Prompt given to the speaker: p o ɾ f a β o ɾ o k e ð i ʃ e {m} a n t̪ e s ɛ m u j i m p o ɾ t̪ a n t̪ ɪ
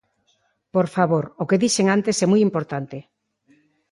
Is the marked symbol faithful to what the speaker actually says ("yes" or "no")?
no